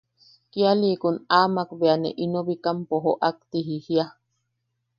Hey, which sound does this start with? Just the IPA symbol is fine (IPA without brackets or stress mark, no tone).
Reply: k